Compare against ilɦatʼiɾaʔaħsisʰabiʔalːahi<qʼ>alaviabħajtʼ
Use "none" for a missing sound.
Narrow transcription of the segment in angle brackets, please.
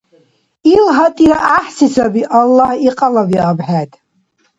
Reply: qʼ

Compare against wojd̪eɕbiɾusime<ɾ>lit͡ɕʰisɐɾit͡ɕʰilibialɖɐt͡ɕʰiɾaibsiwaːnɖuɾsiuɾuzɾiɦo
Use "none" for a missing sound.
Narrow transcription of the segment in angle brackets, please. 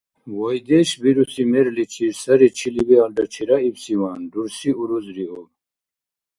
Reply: ɾ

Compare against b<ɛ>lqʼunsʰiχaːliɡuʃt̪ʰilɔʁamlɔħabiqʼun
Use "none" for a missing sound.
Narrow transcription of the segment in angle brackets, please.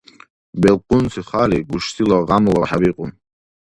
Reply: ɛ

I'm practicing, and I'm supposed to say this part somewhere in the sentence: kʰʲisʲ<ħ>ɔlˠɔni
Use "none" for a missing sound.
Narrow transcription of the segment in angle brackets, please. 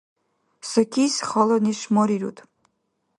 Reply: χ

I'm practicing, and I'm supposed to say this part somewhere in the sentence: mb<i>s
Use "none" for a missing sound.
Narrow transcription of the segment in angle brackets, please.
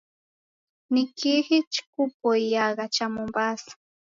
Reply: a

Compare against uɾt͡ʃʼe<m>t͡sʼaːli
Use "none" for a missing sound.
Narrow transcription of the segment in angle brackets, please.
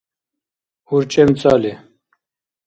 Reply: m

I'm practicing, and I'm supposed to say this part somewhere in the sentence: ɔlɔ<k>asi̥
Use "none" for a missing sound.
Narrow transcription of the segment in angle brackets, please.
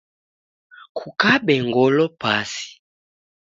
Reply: p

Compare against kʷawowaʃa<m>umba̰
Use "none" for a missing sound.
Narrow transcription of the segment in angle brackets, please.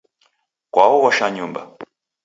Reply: ɲ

